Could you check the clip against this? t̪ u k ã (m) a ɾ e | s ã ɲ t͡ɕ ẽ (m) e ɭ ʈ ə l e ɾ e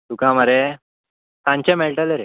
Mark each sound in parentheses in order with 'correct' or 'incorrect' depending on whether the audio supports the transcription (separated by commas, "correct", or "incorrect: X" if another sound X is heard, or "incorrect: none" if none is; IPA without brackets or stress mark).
correct, correct